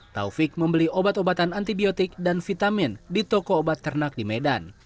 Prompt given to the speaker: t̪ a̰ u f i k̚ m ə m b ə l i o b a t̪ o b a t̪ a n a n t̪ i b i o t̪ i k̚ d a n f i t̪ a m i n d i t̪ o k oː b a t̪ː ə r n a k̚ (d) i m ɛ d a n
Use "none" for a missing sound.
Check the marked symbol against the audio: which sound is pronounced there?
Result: d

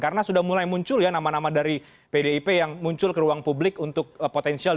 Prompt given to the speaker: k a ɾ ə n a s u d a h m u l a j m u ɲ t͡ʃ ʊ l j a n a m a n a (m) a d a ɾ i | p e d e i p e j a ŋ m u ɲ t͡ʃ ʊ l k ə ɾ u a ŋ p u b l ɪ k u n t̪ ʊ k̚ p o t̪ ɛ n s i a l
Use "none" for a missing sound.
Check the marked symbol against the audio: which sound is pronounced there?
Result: m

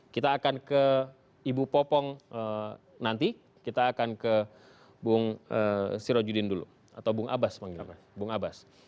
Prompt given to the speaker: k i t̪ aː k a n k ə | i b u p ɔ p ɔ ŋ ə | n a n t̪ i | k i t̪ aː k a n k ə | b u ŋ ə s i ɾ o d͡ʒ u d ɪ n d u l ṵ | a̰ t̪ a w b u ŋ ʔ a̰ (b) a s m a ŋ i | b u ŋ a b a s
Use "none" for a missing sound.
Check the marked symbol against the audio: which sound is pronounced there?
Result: b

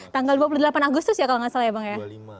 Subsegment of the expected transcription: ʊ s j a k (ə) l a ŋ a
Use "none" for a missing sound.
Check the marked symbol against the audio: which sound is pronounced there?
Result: a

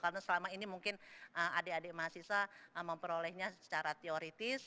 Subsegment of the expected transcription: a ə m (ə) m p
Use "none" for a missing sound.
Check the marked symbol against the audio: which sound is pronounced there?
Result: ə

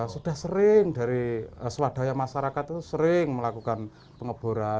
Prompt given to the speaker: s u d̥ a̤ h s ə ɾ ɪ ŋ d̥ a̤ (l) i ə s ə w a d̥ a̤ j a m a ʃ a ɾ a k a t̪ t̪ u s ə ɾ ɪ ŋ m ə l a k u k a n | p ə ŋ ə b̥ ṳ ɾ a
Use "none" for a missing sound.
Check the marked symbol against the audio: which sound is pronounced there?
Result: ɾ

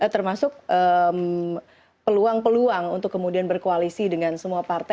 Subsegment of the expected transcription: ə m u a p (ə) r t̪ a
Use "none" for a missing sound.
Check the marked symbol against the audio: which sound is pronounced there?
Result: a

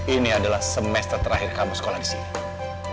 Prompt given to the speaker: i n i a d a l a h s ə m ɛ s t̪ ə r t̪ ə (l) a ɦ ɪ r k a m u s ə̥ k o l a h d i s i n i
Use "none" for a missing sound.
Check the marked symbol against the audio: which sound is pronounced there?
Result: ɾ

